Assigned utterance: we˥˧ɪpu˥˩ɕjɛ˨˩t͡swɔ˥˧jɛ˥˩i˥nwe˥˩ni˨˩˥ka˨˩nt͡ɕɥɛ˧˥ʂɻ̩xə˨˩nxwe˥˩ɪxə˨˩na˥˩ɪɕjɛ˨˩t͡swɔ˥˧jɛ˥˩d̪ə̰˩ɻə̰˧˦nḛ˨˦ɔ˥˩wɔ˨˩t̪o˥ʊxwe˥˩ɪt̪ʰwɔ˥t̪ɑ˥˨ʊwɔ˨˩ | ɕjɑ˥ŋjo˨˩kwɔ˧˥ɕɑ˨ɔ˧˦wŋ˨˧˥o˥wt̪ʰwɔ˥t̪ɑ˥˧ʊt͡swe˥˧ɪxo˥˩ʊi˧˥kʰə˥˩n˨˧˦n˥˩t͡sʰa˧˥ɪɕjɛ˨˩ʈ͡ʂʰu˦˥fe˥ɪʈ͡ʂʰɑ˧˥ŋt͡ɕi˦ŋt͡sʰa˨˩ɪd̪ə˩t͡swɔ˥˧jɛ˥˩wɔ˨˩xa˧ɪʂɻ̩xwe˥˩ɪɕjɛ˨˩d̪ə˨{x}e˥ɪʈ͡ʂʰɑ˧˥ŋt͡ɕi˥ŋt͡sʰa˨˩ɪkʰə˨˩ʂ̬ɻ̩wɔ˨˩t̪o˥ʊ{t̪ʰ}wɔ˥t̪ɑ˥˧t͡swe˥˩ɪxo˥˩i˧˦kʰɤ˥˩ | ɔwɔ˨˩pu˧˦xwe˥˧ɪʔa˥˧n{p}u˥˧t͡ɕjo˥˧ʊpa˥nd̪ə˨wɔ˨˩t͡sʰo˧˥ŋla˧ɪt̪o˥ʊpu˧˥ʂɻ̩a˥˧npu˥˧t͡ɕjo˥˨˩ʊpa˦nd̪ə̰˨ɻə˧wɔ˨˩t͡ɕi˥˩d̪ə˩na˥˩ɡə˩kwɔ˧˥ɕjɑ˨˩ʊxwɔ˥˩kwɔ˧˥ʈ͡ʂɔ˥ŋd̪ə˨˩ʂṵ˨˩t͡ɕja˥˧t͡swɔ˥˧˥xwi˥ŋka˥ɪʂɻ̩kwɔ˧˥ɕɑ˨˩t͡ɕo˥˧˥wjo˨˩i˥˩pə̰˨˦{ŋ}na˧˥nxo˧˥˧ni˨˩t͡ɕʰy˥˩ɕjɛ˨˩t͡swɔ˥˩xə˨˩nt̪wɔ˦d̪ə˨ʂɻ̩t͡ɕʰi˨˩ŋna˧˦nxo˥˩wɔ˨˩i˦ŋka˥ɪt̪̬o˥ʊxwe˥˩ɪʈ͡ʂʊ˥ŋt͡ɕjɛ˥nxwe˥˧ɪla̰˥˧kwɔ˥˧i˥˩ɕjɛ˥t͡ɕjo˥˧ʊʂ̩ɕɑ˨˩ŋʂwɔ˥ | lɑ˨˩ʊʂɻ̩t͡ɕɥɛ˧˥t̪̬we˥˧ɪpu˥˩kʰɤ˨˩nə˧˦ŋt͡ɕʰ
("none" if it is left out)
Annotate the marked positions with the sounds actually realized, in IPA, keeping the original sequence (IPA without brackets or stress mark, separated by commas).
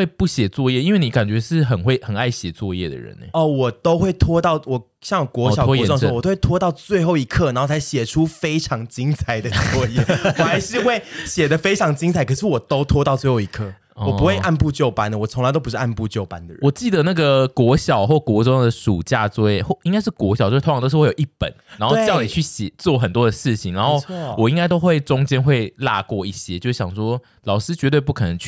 f, t̪ʰ, p, n